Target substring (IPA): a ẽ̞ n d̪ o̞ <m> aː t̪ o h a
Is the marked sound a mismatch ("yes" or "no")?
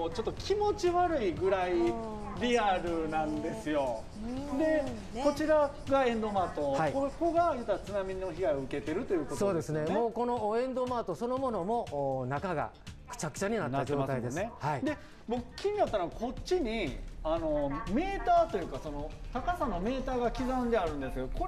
no